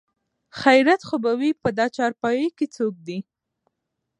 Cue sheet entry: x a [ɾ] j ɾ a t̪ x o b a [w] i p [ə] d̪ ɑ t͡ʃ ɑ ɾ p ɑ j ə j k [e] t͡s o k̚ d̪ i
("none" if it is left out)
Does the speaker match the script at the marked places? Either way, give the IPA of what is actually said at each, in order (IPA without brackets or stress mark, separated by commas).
none, w, ə, e